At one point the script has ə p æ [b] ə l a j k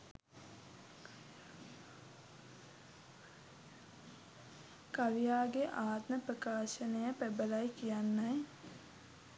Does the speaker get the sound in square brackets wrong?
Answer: no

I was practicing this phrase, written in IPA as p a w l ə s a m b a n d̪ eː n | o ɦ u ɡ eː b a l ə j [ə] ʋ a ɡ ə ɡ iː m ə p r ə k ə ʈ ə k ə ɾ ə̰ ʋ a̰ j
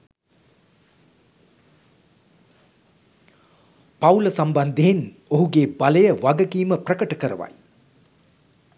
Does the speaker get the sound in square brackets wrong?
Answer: no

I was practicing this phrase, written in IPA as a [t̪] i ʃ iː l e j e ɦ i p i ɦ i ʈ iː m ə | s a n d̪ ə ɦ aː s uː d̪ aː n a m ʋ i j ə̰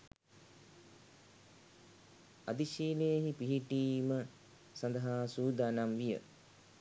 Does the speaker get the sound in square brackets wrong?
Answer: yes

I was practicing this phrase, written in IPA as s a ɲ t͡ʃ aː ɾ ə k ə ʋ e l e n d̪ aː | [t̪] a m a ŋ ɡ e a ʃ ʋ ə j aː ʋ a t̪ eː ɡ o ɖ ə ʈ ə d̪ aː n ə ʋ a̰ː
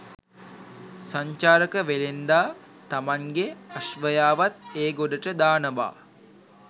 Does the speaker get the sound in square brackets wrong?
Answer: no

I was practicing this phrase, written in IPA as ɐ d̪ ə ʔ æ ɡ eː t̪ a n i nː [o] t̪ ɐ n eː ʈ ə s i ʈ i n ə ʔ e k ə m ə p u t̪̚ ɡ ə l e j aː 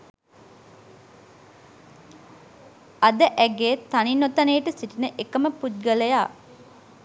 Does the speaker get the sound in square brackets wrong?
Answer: no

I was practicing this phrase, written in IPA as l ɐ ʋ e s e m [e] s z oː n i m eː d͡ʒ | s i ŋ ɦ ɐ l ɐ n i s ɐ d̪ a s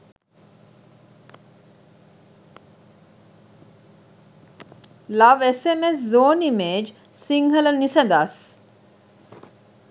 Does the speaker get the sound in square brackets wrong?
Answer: no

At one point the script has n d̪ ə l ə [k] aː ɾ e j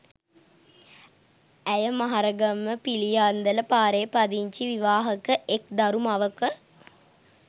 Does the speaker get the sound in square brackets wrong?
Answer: yes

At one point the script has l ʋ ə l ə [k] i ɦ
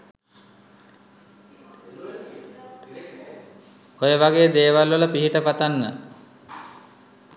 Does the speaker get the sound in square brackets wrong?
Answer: yes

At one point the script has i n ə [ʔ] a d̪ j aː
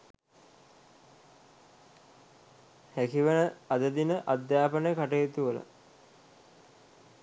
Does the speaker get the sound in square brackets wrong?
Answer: no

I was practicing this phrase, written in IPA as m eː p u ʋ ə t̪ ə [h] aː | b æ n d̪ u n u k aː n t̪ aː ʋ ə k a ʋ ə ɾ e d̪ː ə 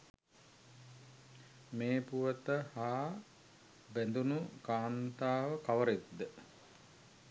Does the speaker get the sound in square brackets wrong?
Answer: no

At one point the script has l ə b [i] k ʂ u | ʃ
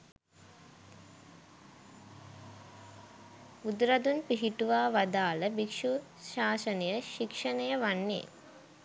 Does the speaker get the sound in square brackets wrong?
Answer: no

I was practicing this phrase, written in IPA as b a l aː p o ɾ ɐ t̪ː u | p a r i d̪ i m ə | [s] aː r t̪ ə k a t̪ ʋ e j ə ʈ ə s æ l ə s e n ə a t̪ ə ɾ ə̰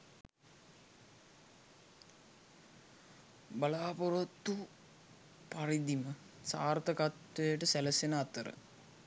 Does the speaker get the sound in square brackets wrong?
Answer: no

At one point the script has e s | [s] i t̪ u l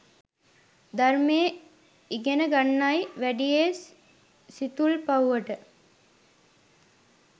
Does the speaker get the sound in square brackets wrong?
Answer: no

